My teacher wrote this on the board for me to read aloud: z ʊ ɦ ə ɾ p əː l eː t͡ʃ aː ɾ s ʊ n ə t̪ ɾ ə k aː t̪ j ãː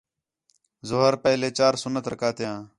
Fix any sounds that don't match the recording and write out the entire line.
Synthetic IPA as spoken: z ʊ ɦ ə ɾ p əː l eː t͡ʃ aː ɾ s ʊ n ə t̪ ɾ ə k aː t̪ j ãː